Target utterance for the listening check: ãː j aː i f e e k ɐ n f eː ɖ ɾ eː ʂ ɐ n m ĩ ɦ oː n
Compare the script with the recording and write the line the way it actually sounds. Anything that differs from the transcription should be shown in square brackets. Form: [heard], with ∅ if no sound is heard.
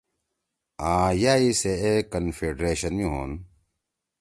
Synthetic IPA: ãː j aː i [s] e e k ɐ n f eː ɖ ɾ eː [ɕ] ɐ n m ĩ ɦ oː n